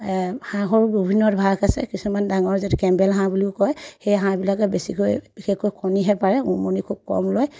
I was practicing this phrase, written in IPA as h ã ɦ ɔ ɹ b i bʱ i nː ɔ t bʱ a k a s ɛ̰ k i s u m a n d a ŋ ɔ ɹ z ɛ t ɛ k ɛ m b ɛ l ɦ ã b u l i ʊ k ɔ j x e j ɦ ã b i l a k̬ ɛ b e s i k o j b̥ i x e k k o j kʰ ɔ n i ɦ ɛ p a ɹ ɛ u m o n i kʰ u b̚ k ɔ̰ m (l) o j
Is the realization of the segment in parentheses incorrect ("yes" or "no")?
no